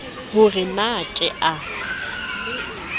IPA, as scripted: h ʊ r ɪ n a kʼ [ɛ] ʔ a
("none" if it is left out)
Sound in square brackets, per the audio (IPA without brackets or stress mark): ɛ